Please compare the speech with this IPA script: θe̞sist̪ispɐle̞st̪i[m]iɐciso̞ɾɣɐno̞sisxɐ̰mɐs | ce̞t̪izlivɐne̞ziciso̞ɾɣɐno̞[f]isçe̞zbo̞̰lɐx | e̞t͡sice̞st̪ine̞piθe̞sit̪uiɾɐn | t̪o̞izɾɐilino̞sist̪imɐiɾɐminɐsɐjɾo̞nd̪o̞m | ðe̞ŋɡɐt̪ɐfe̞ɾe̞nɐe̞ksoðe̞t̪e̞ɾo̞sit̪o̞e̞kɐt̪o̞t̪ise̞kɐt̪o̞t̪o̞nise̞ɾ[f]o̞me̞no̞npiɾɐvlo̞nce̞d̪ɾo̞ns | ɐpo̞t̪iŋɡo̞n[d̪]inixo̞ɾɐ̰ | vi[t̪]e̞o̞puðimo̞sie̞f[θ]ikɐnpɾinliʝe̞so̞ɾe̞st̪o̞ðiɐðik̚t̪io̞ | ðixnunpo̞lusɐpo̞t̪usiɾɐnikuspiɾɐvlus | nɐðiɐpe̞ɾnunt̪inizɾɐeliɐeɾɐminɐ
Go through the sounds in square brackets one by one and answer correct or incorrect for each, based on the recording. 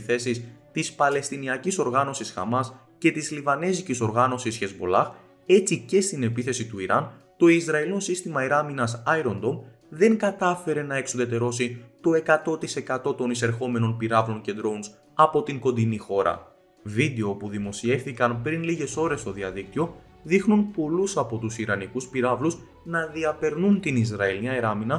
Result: incorrect: n, incorrect: s, incorrect: x, correct, incorrect: d̪, correct

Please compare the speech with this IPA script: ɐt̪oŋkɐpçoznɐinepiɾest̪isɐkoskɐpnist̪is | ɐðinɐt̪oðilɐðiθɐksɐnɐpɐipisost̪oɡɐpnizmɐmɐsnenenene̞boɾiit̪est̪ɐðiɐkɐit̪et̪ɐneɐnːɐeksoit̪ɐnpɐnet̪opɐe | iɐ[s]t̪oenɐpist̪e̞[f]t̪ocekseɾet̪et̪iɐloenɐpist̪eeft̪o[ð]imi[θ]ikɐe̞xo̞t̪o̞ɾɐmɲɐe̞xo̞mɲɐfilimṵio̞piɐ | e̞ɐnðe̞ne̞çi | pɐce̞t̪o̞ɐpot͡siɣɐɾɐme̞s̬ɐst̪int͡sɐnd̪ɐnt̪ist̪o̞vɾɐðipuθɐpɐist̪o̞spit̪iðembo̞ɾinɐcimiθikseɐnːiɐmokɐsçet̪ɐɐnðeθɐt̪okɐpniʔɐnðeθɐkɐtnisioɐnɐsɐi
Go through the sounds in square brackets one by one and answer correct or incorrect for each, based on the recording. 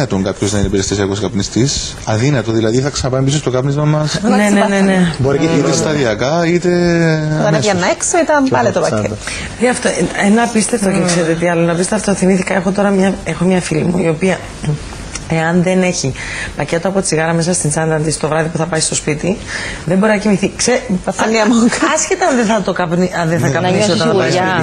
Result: incorrect: f, correct, incorrect: θ, correct

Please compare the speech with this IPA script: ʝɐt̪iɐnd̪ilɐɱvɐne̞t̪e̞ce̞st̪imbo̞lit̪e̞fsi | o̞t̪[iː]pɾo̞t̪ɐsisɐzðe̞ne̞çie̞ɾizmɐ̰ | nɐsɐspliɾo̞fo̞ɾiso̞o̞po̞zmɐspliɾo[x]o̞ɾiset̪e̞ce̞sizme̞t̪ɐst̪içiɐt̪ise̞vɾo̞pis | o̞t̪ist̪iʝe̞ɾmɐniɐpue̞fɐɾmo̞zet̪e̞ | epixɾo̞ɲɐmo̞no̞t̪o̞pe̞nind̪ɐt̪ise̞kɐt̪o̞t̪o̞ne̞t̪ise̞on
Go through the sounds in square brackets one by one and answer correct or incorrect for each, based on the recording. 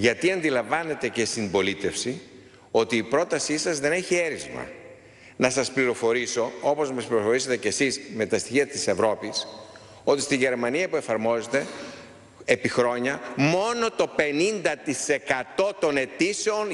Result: correct, incorrect: f

